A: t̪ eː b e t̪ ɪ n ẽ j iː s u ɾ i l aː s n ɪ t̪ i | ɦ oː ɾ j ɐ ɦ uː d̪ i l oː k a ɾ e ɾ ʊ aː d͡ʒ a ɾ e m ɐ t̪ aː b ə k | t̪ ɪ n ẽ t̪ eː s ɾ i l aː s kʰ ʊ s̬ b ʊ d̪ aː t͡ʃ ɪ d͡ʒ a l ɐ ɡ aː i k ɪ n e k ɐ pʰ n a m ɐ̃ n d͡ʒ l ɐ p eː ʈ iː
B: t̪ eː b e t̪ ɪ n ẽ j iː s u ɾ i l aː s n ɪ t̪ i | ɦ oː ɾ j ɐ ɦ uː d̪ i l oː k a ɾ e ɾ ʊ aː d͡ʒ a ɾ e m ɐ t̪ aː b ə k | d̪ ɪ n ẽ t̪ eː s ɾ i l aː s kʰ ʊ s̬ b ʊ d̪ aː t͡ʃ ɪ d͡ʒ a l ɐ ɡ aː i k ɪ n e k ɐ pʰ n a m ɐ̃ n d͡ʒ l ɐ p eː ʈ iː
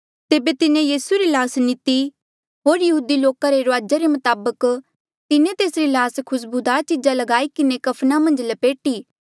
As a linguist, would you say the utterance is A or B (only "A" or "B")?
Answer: A